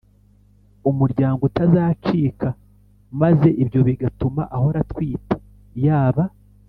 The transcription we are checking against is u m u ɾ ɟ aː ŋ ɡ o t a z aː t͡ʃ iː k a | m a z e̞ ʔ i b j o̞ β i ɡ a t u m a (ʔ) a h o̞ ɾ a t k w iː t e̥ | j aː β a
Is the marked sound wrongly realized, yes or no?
no